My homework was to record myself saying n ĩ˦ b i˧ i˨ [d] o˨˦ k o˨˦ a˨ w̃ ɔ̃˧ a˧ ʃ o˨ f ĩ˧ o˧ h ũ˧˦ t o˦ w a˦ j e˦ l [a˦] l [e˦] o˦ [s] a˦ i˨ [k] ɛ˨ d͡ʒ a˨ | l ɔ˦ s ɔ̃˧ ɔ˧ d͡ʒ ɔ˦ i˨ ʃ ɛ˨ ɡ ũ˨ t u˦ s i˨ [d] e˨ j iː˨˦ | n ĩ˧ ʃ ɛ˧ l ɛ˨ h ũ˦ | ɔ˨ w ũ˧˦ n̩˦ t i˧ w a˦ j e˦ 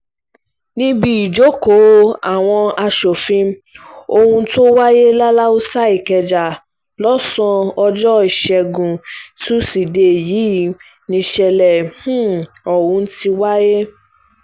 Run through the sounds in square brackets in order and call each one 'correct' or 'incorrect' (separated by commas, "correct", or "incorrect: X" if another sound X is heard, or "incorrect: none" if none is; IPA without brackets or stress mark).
incorrect: d͡ʒ, correct, incorrect: a˦, correct, correct, correct